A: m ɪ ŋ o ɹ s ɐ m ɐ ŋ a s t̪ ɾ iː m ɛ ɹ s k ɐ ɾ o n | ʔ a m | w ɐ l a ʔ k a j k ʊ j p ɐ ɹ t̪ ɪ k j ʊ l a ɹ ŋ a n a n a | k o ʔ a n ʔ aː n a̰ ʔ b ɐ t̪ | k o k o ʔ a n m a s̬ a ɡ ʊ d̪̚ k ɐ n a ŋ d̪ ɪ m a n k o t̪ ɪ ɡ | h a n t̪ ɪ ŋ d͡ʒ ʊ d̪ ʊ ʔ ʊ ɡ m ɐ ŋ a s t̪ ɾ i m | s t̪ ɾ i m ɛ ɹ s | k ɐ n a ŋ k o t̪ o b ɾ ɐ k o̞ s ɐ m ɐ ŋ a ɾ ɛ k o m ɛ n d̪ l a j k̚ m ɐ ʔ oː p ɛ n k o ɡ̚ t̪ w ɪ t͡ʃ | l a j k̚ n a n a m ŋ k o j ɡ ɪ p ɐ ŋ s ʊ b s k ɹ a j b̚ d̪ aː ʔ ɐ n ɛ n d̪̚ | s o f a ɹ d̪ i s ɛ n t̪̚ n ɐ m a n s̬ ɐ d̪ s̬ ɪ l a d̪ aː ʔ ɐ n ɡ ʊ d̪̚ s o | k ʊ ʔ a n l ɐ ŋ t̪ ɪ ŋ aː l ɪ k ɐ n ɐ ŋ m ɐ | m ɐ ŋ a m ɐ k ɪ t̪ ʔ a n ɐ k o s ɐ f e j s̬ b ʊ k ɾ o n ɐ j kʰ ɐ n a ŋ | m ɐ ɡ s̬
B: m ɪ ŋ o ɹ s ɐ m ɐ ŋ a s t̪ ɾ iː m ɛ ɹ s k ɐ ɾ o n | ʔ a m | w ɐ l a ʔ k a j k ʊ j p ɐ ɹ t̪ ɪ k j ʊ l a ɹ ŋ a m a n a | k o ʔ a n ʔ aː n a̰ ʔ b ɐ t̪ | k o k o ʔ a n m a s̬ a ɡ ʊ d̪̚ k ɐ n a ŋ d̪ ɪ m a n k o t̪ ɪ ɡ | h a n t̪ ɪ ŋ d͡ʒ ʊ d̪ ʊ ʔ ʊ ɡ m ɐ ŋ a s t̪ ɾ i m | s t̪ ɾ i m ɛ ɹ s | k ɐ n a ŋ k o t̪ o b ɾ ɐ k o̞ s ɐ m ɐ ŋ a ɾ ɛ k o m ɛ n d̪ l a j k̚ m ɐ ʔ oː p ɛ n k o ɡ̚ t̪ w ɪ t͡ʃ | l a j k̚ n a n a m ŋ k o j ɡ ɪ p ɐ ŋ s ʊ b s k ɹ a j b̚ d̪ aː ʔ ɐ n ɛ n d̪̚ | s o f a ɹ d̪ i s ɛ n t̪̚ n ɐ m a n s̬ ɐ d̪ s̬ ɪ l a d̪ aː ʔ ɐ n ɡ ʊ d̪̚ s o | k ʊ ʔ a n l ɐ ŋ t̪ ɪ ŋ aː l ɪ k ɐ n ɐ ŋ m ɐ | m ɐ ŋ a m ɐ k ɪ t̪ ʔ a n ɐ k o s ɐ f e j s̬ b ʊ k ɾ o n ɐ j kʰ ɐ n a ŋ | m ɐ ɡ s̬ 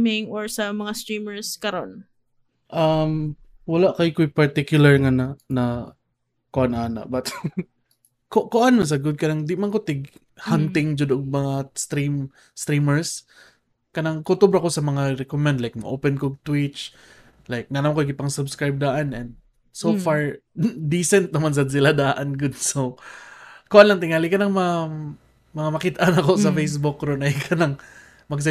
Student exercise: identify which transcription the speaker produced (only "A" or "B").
A